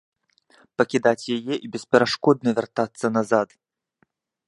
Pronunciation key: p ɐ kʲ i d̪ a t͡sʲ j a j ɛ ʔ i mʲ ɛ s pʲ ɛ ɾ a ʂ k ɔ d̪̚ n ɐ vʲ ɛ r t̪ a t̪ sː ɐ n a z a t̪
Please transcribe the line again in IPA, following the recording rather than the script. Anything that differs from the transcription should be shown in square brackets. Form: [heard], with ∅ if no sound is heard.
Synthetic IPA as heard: p ɐ kʲ i d̪ a t͡sʲ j a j ɛ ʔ i [bʲ] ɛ s pʲ ɛ ɾ a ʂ k ɔ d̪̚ n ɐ vʲ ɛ r t̪ a t̪ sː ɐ n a z a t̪

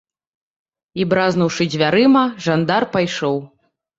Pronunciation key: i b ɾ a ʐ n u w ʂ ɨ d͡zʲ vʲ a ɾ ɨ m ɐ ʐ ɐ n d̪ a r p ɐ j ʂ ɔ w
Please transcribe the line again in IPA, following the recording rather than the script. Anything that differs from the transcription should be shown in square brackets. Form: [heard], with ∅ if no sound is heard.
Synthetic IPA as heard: i b ɾ a [z] n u w ʂ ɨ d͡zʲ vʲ a ɾ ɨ m ɐ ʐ [a] n d̪ a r p [a] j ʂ ɔ w

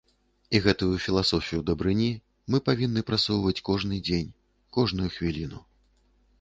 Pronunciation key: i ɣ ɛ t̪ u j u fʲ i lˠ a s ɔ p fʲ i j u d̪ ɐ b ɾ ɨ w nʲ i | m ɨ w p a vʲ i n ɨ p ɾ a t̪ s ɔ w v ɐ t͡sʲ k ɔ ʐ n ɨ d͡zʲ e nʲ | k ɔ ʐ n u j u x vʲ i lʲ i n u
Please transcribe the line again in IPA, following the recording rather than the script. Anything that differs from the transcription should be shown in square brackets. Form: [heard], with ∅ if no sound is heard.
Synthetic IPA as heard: i ɣ ɛ t̪ u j u fʲ i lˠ a s ɔ [∅] fʲ i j u d̪ ɐ b ɾ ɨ [∅] nʲ i | m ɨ [∅] p a vʲ i [nː] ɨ p ɾ a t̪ s ɔ w v ɐ t͡sʲ k ɔ ʐ n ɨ d͡zʲ e nʲ | k ɔ ʐ n u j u x vʲ i lʲ i n u

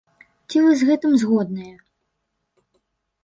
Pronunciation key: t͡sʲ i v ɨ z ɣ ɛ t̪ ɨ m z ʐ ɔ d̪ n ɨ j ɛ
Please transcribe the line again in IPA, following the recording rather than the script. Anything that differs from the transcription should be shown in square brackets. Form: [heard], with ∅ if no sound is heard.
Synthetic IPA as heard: t͡sʲ i v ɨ z ɣ ɛ t̪ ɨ m z [ɣ] ɔ d̪ n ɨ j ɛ

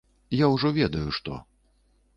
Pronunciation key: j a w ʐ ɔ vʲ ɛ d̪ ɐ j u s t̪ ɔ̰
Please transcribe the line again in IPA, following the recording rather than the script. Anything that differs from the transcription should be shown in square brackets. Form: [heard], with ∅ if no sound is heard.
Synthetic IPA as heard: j a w ʐ ɔ vʲ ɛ d̪ ɐ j u [ʂ] t̪ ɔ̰

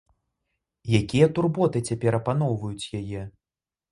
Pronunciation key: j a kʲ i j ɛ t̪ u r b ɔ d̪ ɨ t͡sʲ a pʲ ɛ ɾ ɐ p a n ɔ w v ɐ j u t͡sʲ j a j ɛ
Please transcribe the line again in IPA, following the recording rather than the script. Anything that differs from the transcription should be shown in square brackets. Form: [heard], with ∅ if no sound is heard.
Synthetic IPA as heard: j a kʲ i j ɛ t̪ u r b ɔ [t̪] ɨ t͡sʲ a pʲ ɛ ɾ ɐ p a n ɔ w v ɐ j u t͡sʲ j a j ɛ

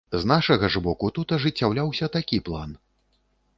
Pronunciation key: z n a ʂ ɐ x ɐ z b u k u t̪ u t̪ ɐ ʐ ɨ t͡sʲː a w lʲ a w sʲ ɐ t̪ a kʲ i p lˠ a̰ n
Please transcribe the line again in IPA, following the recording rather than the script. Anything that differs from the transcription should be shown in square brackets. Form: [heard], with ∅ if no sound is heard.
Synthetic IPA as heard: z n a ʂ ɐ [ɣ] ɐ [ʐ] b [ɔ] k u t̪ u t̪ ɐ ʐ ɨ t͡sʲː a w lʲ a w sʲ ɐ t̪ a kʲ i p lˠ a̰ n

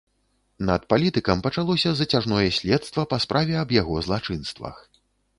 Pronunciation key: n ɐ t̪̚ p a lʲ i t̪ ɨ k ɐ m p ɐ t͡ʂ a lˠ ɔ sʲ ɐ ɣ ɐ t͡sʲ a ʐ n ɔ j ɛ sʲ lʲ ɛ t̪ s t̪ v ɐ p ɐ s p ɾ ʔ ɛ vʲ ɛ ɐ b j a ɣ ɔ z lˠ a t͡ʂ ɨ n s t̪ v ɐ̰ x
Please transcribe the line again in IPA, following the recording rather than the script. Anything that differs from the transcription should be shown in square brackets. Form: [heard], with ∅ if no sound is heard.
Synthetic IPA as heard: n ɐ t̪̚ p a lʲ i t̪ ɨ k ɐ m p ɐ t͡ʂ a lˠ ɔ sʲ ɐ [z] ɐ t͡sʲ a ʐ n ɔ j ɛ sʲ lʲ ɛ t̪ s t̪ v ɐ p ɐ s p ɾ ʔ [a] vʲ ɛ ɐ b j a ɣ ɔ z lˠ a t͡ʂ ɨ n s t̪ v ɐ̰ x

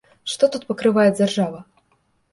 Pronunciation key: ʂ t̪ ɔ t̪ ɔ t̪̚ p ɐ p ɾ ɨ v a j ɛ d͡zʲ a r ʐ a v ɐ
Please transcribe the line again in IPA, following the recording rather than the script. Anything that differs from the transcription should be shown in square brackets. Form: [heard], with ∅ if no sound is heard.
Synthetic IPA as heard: ʂ t̪ ɔ t̪ [u] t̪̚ p ɐ [k] ɾ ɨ v a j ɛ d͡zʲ a r ʐ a v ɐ

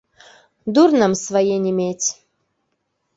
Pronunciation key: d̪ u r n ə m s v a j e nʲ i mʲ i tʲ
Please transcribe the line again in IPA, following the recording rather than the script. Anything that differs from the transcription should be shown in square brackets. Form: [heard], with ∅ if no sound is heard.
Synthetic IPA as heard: d̪ u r n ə m s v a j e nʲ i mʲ [e] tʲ

